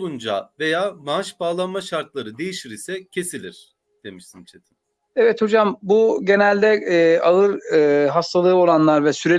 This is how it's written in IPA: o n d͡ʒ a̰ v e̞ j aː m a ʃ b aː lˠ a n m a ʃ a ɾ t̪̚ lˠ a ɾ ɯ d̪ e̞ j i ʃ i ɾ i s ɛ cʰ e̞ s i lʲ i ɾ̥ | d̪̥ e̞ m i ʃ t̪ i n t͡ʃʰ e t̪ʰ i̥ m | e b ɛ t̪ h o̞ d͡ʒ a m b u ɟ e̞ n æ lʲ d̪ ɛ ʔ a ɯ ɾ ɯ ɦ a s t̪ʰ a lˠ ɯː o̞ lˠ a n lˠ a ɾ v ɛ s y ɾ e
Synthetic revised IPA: u n d͡ʒ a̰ v e̞ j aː m a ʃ b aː lˠ a n m a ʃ a ɾ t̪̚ lˠ a ɾ ɯ d̪ e̞ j i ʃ i ɾ i s ɛ cʰ e̞ s i lʲ i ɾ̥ | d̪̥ e̞ m i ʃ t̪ i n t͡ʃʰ e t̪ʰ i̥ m | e v ɛ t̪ h o̞ d͡ʒ a m b u ɟ e̞ n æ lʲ d̪ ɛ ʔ a ɯ ɾ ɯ ɦ a s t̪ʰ a lˠ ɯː o̞ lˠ a n lˠ a ɾ v ɛ s y ɾ e

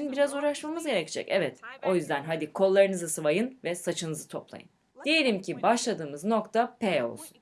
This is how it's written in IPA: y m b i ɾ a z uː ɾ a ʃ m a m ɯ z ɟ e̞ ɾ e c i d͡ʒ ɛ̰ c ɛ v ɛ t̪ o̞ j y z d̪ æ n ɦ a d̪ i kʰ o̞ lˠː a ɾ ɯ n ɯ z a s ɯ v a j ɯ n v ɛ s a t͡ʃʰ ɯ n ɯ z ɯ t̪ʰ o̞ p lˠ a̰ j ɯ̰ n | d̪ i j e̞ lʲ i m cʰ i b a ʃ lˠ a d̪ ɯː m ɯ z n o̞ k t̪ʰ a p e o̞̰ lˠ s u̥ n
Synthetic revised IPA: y n b i ɾ a z uː ɾ a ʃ m a m ɯ z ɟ e̞ ɾ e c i d͡ʒ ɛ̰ c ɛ v ɛ t̪ o̞ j y z d̪ æ n ɦ a d̪ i kʰ o̞ lˠː a ɾ ɯ n ɯ z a s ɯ v a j ɯ n v ɛ s a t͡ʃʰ ɯ n ɯ z ɯ t̪ʰ o̞ p lˠ a̰ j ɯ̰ n | d̪ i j e̞ lʲ i m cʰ i b a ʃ lˠ a d̪ ɯː m ɯ z n o̞ k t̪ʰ a p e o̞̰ lˠ s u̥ n

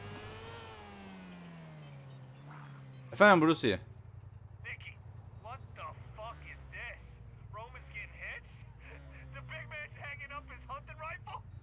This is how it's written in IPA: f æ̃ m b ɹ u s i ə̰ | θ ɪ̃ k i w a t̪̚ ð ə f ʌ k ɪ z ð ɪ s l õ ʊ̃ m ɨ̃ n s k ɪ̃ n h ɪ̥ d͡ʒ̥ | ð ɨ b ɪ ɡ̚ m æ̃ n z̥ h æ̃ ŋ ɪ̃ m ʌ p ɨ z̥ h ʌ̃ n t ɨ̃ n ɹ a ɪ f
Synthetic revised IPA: f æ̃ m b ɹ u s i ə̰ | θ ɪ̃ k i w ʌ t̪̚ ð ə f ʌ k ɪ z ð ɪ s ɹ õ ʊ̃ m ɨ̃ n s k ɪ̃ n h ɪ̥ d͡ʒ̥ | ð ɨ b ɪ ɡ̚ m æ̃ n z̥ h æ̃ ŋ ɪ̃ ŋ ʌ p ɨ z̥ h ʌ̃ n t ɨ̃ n ɹ a ɪ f

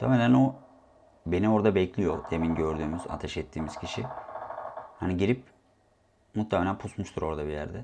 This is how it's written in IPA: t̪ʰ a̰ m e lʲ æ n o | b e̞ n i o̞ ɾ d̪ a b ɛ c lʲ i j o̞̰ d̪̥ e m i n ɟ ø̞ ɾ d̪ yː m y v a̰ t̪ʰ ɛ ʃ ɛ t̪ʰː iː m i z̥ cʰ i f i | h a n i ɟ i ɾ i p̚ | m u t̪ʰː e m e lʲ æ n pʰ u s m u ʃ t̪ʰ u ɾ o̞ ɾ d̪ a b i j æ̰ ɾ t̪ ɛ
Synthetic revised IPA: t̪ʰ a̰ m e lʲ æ n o | b e̞ n i o̞ ɾ d̪ a b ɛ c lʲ i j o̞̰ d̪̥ e m i n ɟ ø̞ ɾ d̪ yː m y z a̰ t̪ʰ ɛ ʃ ɛ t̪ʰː iː m i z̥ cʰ i ʃ i | h a n i ɟ i ɾ i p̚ | m u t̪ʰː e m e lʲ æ n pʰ u s m u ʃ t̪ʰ u ɾ o̞ ɾ d̪ a b i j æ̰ ɾ d̪ ɛ

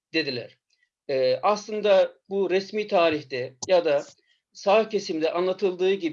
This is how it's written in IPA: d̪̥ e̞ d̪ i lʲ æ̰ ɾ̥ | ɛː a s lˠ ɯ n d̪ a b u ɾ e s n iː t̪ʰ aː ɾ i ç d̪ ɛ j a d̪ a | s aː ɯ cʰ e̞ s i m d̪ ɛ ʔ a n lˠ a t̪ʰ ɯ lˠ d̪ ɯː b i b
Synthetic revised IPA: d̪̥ e̞ d̪ i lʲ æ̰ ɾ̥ | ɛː a s lˠ ɯ n d̪ a b u ɾ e s m iː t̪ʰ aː ɾ i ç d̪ ɛ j a d̪ a | s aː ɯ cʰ e̞ s i m d̪ ɛ ʔ a n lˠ a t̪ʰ ɯ lˠ d̪ ɯː ɟ i b

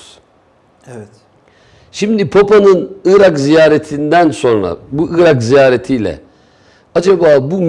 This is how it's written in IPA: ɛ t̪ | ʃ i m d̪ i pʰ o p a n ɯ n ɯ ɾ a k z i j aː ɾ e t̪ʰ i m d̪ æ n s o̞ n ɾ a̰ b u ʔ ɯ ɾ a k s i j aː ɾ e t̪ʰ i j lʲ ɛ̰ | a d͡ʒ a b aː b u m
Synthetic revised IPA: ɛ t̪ | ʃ i m d̪ i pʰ o p a n ɯ n ɯ ɾ a k z i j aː ɾ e t̪ʰ i n d̪ æ n s o̞ n ɾ a̰ b u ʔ ɯ ɾ a k z i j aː ɾ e t̪ʰ i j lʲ ɛ̰ | a d͡ʒ a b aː b u m

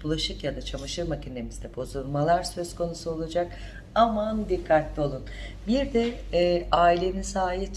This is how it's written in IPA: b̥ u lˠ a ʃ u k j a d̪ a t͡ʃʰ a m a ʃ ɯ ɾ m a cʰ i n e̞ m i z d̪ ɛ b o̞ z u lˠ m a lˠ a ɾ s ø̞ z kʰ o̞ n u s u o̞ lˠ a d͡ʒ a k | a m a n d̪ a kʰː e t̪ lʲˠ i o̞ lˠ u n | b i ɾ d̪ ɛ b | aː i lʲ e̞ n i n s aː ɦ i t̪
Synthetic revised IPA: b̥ u lˠ a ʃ ɯ k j a d̪ a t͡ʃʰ a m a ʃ ɯ ɾ m a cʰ i n e̞ m i z d̪ ɛ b o̞ z u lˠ m a lˠ a ɾ s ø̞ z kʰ o̞ n u s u o̞ lˠ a d͡ʒ a k | a m a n d̪ i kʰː a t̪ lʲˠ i o̞ lˠ u n | b i ɾ d̪ ɛ | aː i lʲ e̞ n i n s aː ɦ i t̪

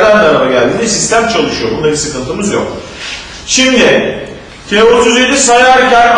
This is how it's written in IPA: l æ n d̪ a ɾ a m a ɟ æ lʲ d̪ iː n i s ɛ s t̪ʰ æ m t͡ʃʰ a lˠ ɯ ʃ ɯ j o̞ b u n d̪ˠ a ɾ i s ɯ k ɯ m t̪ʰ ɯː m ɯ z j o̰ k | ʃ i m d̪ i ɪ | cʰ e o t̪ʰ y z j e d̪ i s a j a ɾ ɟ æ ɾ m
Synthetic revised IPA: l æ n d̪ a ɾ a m a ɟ æ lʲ d̪ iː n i s i s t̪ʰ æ m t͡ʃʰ a lˠ ɯ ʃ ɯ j o̞ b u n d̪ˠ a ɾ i s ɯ k ɯ n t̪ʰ ɯ m ɯ z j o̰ k | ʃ i m d̪ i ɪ | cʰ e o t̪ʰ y z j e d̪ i s a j a ɾ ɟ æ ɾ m

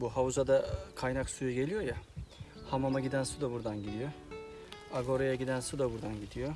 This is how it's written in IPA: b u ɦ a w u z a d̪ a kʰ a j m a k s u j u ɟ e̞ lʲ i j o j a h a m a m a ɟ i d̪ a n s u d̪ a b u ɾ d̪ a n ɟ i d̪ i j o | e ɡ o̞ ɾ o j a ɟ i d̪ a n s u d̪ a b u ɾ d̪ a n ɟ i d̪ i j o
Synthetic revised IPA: b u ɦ a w u z a d̪ a kʰ a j n a k s u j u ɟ e̞ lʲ i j o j a h a m a m a ɟ i d̪ æ n s u d̪ a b u ɾ d̪ a n ɟ i d̪ i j o | a ɡ o̞ ɾ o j a ɟ i d̪ æ n s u d̪ a b u ɾ d̪ a n ɟ i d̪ i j o

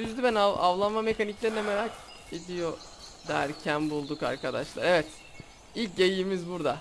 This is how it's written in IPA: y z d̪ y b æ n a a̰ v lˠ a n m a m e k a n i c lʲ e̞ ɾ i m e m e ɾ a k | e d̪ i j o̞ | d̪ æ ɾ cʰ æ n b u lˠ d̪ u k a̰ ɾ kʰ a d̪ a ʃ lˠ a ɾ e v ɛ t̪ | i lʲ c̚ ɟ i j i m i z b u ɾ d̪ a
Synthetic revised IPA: y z d̪ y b æ n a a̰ v lˠ a n m a m e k a n i c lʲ e̞ ɾ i n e m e ɾ a k | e d̪ i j o̞ | d̪ æ ɾ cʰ æ n b u lˠ d̪ u k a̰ ɾ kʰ a d̪ a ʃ lˠ a ɾ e v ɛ t̪ | i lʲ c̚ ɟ e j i m i z b u ɾ d̪ a

